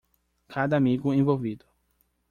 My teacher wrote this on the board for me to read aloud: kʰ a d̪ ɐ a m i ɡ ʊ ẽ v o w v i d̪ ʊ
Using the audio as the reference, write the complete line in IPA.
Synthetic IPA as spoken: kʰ a d̪ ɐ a m i ɡ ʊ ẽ v o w v i d̪ ʊ